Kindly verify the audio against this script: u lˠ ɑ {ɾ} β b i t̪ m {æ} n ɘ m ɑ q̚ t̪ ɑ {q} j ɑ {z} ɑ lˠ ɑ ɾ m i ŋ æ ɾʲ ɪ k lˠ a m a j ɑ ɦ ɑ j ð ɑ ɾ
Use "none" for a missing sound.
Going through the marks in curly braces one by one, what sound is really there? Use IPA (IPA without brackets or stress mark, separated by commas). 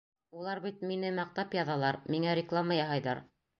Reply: ɾ, i, p, ð